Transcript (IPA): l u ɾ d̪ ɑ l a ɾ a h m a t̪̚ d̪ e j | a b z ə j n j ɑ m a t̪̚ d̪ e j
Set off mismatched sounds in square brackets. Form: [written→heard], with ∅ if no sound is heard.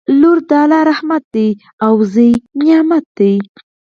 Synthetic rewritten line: l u ɾ d̪ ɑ l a ɾ a h m a t̪̚ d̪ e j | a [b→w] z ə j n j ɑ m a t̪̚ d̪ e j